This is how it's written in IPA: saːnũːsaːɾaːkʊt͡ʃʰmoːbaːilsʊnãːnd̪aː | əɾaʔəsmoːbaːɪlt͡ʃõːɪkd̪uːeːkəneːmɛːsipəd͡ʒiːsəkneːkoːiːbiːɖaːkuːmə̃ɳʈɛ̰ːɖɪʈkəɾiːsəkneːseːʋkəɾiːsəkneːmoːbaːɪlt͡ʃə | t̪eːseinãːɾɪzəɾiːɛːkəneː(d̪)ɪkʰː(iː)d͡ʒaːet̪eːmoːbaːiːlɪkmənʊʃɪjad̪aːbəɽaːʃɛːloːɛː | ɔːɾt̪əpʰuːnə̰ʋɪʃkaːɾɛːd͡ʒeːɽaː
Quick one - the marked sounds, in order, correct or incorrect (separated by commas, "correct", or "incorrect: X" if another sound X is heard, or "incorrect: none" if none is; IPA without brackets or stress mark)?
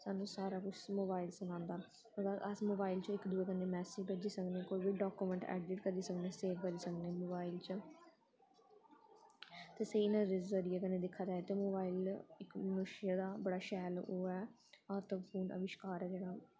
correct, incorrect: aː